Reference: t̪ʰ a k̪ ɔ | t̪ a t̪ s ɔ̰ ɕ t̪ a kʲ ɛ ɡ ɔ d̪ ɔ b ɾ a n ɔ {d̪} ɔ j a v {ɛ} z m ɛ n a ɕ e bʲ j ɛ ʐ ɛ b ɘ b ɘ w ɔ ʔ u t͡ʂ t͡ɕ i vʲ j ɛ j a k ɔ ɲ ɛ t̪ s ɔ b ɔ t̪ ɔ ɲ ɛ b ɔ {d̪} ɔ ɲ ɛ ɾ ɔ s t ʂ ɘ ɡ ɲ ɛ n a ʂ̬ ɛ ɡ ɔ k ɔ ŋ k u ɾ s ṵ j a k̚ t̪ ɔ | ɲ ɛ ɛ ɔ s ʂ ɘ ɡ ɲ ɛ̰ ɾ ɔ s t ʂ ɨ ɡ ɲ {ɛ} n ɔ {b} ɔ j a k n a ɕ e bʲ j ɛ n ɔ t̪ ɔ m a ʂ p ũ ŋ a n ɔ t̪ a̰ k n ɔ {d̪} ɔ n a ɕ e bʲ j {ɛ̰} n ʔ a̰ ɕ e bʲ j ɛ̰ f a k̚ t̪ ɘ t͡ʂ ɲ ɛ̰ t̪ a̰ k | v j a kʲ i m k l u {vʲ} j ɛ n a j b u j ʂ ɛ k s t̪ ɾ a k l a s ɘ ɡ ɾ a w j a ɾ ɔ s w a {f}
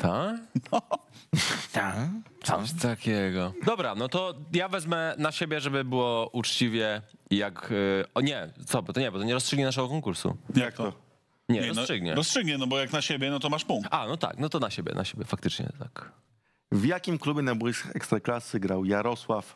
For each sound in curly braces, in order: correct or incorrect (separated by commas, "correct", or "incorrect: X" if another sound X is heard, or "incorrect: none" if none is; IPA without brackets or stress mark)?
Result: incorrect: t̪, correct, incorrect: t̪, correct, correct, incorrect: t̪, correct, incorrect: bʲ, correct